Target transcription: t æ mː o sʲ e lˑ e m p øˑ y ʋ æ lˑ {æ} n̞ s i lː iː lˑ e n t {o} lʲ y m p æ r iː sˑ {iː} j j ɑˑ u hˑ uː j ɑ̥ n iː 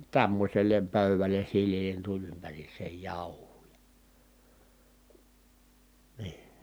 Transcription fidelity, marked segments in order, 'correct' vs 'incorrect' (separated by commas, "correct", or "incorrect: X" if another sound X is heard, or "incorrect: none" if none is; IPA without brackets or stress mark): incorrect: e, incorrect: u, incorrect: eː